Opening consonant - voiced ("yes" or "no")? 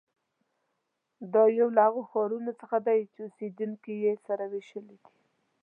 yes